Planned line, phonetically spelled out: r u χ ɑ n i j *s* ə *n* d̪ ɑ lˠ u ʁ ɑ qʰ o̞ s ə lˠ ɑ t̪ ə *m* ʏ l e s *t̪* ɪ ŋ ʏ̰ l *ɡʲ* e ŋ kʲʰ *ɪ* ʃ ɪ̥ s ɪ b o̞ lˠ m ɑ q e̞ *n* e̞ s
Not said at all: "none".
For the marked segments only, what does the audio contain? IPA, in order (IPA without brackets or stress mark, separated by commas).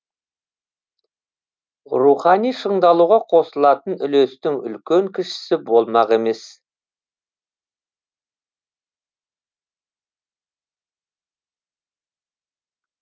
ʃ, ɴ, n, t̪, kʲ, ɪ, m